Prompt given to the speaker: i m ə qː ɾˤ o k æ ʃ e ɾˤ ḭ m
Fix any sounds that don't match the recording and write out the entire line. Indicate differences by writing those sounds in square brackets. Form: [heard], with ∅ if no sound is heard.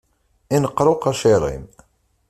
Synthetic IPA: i [n] ə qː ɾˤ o [q] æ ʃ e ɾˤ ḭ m

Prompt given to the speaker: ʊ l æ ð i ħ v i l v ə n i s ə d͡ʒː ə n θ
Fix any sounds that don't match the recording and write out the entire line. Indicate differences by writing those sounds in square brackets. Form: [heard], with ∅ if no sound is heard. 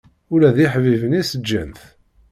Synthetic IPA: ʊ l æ ð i ħ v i [∅] v ə n i s ə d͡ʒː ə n θ

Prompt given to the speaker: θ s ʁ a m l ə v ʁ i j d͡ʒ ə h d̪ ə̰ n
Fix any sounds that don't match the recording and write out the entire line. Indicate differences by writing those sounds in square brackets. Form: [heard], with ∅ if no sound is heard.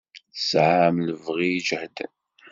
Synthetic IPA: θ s [ʕ] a m l ə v ʁ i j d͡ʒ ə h d̪ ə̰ n

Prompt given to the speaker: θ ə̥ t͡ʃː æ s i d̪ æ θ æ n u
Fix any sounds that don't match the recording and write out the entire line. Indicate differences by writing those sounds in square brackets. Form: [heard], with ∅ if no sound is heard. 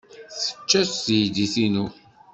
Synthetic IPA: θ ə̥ t͡ʃː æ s [j] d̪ [i] θ [i] n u

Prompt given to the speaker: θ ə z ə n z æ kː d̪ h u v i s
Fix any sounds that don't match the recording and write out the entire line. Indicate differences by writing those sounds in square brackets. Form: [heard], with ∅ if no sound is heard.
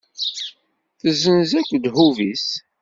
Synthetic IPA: θ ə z ə n z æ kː d̪ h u v i s

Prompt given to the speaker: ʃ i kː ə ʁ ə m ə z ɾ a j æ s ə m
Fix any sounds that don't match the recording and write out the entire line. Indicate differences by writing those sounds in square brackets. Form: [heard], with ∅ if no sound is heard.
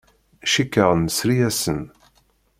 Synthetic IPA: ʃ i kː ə ʁ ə [n] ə [s] ɾ [i] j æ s ə [n]

